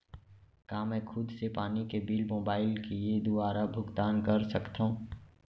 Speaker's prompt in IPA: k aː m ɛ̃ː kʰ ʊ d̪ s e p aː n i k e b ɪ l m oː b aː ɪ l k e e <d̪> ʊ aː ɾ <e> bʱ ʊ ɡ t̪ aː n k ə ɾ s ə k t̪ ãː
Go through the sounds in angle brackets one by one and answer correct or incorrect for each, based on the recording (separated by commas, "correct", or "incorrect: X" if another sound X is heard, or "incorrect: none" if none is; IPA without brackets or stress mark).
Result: correct, incorrect: a